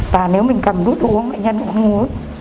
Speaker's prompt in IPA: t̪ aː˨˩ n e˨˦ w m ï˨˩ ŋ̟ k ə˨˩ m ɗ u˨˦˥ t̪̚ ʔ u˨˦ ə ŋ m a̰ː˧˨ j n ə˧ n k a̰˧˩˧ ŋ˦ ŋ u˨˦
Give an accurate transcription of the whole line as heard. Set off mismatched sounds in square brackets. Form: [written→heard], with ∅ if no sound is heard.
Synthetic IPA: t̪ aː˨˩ n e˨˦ w m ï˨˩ ŋ̟ k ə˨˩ m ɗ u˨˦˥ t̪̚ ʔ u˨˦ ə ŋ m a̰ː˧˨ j [n→ɲ] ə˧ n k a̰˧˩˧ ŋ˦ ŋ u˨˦